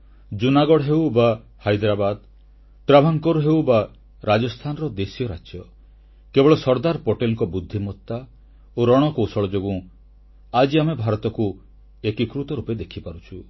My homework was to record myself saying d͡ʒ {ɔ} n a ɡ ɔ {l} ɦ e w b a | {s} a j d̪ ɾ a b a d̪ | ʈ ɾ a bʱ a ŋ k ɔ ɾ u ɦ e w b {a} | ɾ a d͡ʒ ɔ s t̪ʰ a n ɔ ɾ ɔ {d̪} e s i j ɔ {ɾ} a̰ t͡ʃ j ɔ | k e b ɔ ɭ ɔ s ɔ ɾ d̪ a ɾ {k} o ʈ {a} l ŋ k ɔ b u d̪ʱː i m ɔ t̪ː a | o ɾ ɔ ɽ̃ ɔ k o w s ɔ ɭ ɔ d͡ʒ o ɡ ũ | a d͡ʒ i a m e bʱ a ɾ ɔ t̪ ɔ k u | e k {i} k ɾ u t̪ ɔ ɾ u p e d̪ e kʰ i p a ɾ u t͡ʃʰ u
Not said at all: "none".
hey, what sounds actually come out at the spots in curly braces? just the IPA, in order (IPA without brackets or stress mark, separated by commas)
u, ɽ, h, a, d̪, ɾ, p, e, i